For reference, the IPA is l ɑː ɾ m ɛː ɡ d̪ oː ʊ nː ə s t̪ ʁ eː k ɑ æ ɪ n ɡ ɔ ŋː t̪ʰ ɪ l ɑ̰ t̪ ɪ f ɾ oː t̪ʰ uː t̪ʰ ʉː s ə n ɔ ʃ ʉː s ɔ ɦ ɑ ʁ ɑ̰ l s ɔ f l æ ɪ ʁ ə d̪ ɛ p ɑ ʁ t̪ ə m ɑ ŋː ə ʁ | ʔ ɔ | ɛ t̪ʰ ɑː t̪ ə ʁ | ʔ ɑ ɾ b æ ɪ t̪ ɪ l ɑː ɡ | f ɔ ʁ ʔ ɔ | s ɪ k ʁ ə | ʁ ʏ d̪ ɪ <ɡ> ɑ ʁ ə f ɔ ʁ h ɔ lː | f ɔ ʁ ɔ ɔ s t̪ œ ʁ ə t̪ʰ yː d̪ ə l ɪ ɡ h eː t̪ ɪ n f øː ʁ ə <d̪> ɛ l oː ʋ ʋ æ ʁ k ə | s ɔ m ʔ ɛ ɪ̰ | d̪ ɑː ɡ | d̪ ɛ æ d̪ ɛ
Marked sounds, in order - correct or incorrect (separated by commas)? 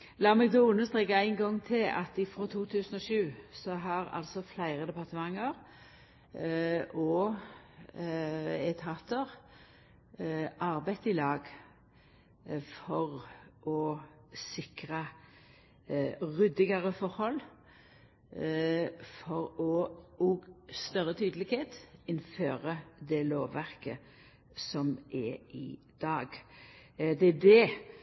correct, correct